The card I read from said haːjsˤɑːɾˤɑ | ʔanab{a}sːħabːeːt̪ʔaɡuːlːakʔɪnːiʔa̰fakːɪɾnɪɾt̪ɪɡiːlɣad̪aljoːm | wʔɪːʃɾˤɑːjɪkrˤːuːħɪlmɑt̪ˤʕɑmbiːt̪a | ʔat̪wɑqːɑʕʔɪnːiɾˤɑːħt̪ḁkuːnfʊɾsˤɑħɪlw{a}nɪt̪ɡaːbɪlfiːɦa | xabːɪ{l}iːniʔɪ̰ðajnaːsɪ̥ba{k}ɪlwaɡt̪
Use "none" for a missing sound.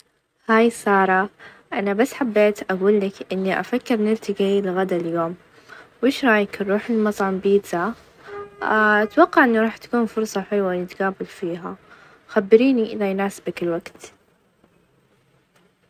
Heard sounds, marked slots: a, a, ɾ, k

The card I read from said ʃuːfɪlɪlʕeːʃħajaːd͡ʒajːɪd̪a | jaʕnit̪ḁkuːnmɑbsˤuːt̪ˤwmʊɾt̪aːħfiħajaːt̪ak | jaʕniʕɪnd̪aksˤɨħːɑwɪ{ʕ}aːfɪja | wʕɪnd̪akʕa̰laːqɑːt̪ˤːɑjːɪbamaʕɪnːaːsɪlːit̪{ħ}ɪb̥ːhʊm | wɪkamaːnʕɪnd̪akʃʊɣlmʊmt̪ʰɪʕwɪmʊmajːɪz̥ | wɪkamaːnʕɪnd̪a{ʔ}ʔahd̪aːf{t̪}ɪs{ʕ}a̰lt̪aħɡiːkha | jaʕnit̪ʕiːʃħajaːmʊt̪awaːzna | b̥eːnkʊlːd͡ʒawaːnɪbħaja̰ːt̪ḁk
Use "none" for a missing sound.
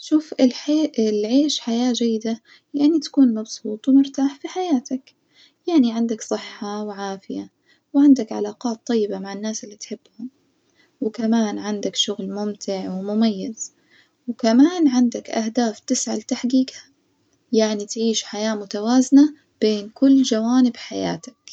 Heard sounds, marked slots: ʕ, ħ, k, t̪, ʕ

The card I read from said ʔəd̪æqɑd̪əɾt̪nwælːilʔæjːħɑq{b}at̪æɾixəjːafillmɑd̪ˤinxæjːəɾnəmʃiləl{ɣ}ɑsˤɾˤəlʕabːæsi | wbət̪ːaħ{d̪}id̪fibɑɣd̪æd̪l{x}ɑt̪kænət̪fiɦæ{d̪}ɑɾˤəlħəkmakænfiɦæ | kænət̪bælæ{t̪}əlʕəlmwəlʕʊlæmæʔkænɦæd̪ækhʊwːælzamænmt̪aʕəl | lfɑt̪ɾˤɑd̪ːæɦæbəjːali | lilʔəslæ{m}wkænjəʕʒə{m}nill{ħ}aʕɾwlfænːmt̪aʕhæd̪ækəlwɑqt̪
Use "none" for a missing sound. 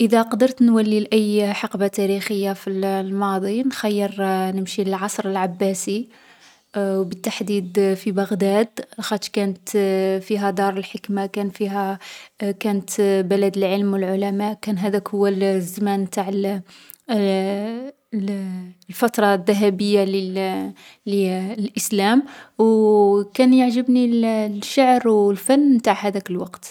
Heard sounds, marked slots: b, ʕ, d̪, x, d̪, d̪, m, b, ʃ

